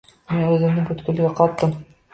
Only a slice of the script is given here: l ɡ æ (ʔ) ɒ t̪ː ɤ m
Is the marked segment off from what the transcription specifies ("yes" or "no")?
yes